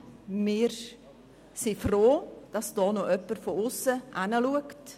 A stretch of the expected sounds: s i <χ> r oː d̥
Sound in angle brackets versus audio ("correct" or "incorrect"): incorrect